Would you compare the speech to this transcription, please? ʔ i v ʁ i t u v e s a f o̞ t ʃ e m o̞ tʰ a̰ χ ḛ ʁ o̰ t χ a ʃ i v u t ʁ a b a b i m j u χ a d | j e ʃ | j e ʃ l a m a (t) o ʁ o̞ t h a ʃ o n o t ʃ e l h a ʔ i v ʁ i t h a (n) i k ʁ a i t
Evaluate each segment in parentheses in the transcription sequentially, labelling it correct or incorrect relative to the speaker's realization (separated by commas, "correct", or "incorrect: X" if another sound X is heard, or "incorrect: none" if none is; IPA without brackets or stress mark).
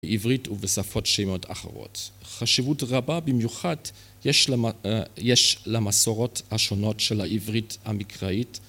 incorrect: s, incorrect: m